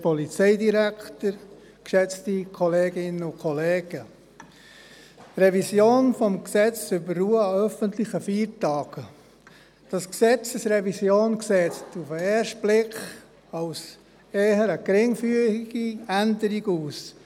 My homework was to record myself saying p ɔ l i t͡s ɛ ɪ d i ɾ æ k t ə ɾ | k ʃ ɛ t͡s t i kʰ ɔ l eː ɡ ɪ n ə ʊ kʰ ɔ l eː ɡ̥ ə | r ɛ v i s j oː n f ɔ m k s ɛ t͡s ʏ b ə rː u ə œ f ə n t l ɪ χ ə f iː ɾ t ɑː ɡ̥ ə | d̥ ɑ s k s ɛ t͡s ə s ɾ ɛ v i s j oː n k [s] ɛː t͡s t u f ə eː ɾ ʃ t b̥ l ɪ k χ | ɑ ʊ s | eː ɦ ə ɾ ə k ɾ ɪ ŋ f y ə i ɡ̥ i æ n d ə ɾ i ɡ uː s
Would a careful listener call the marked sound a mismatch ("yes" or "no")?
no